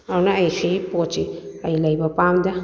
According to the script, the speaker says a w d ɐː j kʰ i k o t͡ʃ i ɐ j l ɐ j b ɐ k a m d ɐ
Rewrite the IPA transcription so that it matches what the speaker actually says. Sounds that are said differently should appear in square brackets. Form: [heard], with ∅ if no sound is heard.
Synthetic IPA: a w [n] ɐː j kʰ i [p] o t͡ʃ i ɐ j l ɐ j b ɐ [p] a m d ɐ